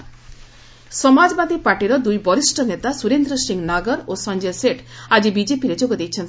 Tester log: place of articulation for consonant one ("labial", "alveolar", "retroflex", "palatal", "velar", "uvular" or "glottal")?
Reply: alveolar